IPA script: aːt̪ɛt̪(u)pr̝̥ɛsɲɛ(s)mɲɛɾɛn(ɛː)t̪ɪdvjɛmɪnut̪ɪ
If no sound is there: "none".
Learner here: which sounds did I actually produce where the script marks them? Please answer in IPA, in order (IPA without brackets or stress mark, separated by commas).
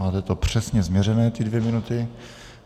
o, z, ɛː